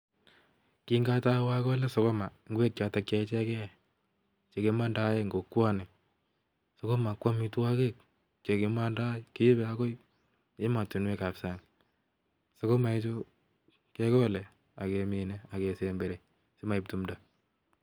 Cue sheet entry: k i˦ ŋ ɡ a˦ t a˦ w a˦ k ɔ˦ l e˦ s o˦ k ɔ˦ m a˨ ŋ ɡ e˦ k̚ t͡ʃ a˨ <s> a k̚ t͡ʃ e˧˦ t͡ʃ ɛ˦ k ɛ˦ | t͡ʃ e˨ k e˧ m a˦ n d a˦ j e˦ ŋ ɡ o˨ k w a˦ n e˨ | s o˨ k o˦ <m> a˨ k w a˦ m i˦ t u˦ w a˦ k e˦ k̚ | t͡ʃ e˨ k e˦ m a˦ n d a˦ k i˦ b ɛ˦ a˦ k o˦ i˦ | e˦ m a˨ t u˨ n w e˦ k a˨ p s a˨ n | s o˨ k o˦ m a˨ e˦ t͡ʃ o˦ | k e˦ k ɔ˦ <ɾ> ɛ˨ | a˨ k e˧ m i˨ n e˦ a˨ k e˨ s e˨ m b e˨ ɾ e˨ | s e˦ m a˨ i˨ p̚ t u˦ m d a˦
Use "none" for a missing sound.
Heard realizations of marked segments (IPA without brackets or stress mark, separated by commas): t, m, l